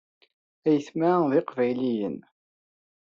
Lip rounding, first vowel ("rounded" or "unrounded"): unrounded